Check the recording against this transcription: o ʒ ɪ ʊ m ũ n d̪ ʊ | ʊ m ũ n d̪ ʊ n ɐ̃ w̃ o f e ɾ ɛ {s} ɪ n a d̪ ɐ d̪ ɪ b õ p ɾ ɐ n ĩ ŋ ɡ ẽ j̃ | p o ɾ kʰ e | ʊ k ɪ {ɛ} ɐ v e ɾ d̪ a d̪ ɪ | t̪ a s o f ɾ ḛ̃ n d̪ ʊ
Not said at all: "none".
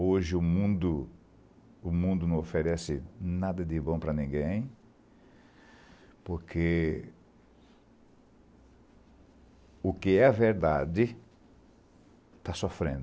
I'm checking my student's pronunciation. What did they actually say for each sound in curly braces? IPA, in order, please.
s, ɛ

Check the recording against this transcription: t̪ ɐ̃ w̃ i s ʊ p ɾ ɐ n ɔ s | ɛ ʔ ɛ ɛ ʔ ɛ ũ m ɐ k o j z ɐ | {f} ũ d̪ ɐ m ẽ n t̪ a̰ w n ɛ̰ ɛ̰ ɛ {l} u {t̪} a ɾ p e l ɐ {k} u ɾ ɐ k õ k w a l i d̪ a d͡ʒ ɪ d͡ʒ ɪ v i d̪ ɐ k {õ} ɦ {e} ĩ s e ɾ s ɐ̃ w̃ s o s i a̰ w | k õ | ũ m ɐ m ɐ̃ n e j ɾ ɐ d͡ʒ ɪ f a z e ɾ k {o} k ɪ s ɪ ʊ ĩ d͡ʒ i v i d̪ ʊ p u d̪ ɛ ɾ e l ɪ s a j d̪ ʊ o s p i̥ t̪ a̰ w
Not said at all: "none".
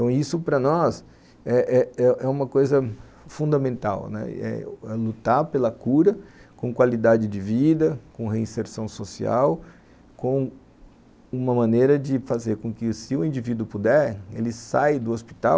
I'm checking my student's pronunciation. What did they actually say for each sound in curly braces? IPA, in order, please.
f, l, t̪, k, õ, e, õ

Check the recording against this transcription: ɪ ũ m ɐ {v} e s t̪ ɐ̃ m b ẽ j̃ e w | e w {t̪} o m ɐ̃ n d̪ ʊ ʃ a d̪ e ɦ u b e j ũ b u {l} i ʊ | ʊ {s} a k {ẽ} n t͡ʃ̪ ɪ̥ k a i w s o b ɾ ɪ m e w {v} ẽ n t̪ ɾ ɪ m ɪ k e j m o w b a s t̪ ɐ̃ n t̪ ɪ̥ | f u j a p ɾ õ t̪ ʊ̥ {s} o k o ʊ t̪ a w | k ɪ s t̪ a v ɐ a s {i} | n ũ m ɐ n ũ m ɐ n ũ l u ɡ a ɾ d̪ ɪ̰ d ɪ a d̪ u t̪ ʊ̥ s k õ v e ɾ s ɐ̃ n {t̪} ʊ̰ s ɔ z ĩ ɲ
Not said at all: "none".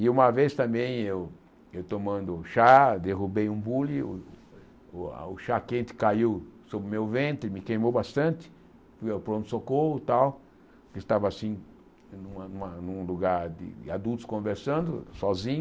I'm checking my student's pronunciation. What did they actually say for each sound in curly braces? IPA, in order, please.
v, t̪, l, ʃ, ẽ, v, s, ĩ, d̪

